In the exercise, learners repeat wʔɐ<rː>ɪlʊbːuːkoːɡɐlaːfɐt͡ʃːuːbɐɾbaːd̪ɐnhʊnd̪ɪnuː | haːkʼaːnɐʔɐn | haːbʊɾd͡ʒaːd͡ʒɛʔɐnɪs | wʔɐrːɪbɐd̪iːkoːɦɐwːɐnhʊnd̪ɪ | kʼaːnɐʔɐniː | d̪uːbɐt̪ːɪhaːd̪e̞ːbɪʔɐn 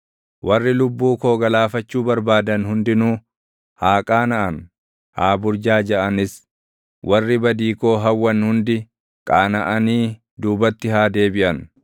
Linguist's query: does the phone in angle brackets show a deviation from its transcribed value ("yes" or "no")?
no